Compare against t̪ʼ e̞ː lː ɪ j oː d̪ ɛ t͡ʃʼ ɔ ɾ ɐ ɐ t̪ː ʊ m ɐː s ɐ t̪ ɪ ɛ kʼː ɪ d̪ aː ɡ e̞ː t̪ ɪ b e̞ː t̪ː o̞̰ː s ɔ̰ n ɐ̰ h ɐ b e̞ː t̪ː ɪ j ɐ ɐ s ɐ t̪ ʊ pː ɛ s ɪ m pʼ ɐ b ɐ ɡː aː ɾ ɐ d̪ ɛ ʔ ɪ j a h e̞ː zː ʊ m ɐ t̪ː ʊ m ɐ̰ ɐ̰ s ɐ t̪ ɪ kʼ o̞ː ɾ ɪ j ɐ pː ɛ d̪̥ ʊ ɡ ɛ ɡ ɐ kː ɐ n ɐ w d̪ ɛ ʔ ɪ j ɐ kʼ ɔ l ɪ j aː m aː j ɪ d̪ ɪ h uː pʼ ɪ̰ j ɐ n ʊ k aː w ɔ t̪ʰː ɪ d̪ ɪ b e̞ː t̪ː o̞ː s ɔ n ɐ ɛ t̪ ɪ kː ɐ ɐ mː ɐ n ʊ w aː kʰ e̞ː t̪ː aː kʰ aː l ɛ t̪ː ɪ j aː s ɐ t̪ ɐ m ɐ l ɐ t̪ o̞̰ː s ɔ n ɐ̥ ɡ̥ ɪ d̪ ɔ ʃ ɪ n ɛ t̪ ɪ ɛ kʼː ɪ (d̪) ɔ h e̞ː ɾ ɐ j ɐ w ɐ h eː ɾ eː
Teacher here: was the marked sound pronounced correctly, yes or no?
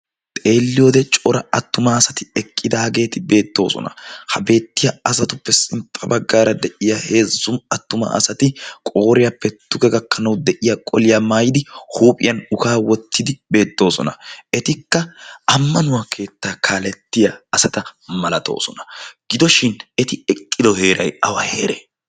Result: yes